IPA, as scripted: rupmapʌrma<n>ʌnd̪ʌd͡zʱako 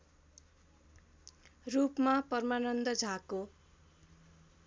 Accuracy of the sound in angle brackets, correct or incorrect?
correct